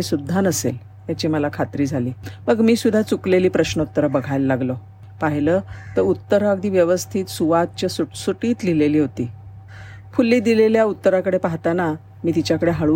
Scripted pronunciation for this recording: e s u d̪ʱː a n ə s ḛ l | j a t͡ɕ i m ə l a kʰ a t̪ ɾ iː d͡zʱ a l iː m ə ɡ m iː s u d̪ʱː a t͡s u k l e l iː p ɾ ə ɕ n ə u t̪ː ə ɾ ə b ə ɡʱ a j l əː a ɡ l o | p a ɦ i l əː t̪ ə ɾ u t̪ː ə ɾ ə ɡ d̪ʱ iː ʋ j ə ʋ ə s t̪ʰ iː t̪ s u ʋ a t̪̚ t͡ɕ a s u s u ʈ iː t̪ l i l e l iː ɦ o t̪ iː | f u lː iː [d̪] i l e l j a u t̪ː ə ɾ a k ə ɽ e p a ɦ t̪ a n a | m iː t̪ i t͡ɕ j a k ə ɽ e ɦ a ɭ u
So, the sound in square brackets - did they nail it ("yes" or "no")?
yes